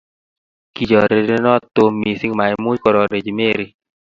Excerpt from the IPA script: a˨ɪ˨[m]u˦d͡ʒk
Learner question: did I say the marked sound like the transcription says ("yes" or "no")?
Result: yes